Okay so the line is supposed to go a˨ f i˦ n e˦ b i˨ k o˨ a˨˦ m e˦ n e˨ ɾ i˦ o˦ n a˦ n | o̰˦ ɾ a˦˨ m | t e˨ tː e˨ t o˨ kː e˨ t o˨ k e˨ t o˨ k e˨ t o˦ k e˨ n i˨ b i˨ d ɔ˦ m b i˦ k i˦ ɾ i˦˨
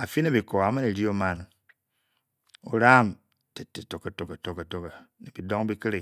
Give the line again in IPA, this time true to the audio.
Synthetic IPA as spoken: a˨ f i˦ n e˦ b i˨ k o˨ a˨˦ m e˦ n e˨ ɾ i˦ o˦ m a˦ n | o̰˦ ɾ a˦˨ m | t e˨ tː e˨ t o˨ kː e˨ t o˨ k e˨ t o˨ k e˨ t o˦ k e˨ n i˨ b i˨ d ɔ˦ ŋ b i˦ k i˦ ɾ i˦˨

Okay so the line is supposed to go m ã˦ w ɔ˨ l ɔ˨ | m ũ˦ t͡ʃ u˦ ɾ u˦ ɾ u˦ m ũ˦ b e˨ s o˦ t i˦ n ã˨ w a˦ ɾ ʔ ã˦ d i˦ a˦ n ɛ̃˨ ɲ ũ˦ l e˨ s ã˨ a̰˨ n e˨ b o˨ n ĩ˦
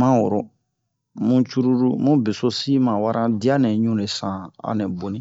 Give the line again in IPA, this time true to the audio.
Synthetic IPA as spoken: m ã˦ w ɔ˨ ɾ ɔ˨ | m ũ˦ t͡ʃ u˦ ɾ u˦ ɾ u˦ m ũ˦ b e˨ s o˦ s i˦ m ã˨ w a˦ ɾ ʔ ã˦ d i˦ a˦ n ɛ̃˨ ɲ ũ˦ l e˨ s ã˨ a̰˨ n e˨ b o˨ n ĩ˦

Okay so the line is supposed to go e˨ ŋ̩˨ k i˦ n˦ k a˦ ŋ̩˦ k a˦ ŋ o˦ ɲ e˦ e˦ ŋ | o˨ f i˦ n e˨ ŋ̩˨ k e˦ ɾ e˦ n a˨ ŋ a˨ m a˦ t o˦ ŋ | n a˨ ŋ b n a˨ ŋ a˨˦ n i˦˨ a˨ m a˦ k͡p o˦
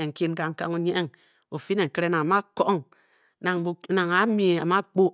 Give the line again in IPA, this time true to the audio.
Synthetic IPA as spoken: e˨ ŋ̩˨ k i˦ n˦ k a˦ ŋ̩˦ k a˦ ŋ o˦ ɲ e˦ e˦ ŋ | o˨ f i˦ n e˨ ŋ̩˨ k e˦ ɾ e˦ n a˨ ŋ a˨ m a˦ k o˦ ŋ | n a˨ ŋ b n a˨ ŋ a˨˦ m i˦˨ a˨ m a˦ k͡p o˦

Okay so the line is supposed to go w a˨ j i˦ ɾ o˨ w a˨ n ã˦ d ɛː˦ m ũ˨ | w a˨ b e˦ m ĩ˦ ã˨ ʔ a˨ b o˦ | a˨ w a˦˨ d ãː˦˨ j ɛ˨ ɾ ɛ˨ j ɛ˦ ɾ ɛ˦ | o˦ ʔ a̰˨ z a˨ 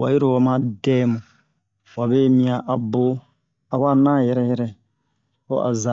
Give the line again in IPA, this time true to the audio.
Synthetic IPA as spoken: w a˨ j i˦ ɾ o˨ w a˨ m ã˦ d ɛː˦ m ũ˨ | w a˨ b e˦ m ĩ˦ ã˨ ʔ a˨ b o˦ | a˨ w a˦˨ n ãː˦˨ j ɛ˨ ɾ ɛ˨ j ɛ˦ ɾ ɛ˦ | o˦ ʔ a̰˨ z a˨

